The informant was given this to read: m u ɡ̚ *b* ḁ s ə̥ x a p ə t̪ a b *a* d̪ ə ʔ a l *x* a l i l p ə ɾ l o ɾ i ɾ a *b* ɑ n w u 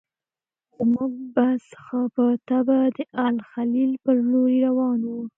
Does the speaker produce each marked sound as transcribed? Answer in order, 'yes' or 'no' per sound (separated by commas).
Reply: yes, yes, yes, no